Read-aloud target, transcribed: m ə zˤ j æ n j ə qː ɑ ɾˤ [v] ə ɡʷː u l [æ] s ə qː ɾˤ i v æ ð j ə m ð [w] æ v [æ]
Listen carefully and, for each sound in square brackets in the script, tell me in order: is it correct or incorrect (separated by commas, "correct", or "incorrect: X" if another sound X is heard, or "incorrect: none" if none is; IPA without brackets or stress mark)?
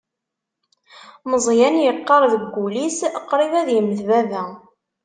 incorrect: ð, incorrect: i, incorrect: v, correct